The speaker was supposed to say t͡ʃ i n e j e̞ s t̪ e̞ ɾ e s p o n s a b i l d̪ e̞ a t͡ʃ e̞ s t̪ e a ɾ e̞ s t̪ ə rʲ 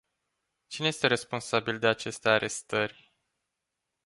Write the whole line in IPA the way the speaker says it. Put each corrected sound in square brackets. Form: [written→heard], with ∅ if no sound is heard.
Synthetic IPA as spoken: t͡ʃ i n e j e̞ s t̪ e̞ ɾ e s p o n s a b i l d̪ e̞ a t͡ʃ e̞ s t̪ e a ɾ e̞ s t̪ ə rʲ